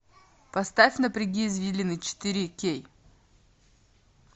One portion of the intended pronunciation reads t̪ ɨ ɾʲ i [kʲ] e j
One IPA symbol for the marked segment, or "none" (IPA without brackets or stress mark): kʲ